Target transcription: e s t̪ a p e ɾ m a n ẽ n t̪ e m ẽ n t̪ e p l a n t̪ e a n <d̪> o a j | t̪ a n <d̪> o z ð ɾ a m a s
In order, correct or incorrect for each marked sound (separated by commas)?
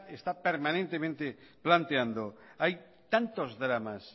correct, incorrect